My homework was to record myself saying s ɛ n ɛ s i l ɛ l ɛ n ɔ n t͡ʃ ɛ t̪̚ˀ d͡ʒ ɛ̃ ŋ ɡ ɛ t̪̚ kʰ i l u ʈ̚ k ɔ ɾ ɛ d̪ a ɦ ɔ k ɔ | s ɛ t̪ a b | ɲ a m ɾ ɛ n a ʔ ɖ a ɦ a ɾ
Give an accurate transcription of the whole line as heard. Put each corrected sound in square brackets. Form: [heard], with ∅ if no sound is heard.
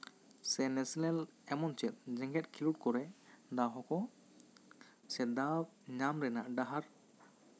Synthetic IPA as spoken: s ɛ n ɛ s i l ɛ l ɛ [m] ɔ n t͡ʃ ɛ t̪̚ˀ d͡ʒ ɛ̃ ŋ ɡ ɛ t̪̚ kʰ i l u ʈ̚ k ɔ ɾ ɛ d̪ a ɦ ɔ k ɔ | s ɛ [d̪] a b | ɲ a m ɾ ɛ n a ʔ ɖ a ɦ a ɾ

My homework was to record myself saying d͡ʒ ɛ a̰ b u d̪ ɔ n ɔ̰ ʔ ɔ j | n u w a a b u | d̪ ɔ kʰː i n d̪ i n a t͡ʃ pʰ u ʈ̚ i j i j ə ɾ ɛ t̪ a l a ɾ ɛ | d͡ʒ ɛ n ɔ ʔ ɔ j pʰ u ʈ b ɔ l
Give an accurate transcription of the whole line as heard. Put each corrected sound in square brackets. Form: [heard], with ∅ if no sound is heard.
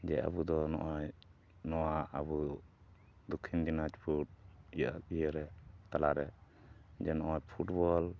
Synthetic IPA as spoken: d͡ʒ ɛ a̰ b u d̪ ɔ n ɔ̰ ʔ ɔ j | n [ɔ] w a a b u | d̪ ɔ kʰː i n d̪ i n a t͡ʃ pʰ u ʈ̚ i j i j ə ɾ ɛ t̪ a l a ɾ ɛ | d͡ʒ ɛ n ɔ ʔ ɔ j pʰ u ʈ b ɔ l

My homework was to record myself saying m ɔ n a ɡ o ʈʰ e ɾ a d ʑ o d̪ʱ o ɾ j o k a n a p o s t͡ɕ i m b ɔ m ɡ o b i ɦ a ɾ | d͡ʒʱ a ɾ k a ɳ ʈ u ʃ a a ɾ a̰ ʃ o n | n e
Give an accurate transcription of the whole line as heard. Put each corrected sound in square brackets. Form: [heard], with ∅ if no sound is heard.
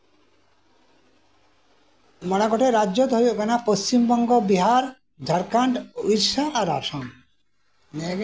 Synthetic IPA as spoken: m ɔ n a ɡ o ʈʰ e ɾ a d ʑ o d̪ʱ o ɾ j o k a n a p o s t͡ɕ i m b ɔ [ŋ] ɡ o b i ɦ a ɾ | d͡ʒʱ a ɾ k a ɳ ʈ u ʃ a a ɾ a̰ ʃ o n | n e

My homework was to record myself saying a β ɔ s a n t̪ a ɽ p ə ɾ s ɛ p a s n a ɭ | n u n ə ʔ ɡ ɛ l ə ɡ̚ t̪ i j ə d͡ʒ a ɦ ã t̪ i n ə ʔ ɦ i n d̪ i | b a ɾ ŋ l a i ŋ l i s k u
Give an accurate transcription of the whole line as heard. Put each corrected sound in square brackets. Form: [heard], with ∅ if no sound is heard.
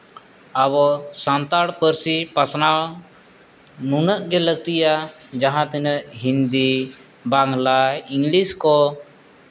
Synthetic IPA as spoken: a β ɔ s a n t̪ a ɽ p ə ɾ s [i] p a s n a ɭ | n u n ə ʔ ɡ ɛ l ə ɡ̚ t̪ i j [a] d͡ʒ a ɦ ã t̪ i n ə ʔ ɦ i n d̪ i | b a [∅] ŋ l a i ŋ l i s k [ɔ]

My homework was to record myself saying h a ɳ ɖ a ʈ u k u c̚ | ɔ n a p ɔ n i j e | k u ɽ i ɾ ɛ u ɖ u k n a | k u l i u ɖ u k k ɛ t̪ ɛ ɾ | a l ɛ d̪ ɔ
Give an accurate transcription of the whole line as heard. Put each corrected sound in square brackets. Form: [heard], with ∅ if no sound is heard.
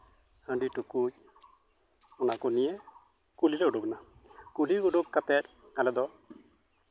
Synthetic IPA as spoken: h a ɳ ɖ [i] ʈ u k u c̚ | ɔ n a [k] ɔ n i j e | k u [l] i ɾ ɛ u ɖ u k n a | k u l i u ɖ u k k [a] t̪ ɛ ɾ | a l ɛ d̪ ɔ

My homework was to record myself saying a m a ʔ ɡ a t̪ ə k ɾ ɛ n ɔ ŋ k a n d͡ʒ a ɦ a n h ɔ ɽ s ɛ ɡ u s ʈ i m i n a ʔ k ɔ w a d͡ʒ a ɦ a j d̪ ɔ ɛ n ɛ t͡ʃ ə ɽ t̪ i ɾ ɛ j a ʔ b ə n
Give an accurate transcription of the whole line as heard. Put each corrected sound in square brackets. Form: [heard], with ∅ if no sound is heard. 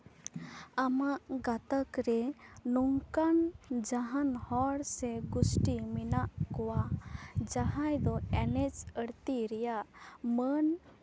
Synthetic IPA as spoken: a m a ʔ ɡ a t̪ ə k ɾ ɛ n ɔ ŋ k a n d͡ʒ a ɦ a n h ɔ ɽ s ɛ ɡ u s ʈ i m i n a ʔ k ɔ w a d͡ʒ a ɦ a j d̪ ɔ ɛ n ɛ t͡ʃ ə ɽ t̪ i ɾ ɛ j a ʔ [m] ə n

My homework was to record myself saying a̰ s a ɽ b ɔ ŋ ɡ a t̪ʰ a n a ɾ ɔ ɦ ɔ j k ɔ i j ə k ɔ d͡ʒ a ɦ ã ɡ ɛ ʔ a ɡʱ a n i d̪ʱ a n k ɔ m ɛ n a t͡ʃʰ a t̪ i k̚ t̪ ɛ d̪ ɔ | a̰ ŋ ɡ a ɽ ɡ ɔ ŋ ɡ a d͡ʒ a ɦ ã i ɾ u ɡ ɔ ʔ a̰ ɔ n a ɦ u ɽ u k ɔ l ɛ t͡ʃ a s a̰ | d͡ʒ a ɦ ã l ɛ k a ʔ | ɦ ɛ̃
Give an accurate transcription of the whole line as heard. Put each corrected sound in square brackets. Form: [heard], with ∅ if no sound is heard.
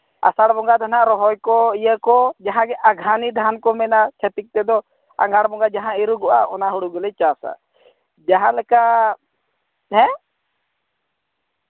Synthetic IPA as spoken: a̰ s a ɽ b ɔ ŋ ɡ a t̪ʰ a n a ɾ ɔ ɦ ɔ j k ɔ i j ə k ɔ d͡ʒ a ɦ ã ɡ ɛ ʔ a ɡʱ a n i d̪ʱ a n k ɔ m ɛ n a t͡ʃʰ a t̪ i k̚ t̪ ɛ d̪ ɔ | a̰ ŋ ɡ a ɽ [b] ɔ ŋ ɡ a d͡ʒ a ɦ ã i ɾ u ɡ ɔ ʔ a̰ ɔ n a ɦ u ɽ u [ɡ] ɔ l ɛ t͡ʃ a s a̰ | d͡ʒ a ɦ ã l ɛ k a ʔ | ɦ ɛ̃

